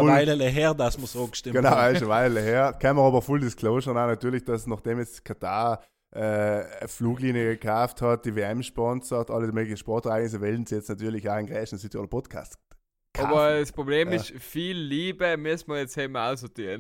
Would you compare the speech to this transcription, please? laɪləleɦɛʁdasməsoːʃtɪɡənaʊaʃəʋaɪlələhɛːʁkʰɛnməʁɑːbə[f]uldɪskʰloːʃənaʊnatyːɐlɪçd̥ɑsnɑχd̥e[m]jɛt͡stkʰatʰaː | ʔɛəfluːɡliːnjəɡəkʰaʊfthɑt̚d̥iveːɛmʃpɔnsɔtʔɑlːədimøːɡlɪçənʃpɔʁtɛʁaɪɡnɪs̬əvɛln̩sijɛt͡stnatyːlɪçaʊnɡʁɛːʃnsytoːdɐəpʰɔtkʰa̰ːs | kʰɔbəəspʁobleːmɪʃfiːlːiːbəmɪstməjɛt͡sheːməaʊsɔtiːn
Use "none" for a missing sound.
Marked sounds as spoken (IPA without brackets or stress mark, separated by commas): f, m